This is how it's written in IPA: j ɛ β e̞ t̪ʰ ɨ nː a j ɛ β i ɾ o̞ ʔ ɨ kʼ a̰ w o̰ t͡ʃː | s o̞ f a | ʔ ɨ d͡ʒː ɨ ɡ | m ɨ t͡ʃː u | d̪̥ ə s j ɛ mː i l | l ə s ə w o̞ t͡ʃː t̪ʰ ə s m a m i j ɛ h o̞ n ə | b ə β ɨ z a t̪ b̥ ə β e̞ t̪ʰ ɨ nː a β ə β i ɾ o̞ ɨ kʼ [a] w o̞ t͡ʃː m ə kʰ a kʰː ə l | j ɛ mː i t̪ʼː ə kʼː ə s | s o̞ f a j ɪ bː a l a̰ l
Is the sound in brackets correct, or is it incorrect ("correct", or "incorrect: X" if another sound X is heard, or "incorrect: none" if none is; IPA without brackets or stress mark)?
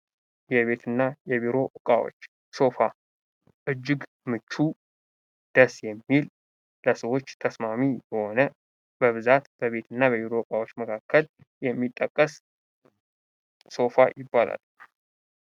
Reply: correct